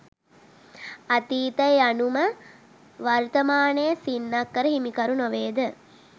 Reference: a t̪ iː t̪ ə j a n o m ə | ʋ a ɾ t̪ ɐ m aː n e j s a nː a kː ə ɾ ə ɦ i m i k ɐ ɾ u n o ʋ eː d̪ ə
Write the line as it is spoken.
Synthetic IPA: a t̪ iː t̪ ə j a n u m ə | ʋ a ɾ t̪ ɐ m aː n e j s i nː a kː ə ɾ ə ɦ i m i k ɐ ɾ u n o ʋ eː d̪ ə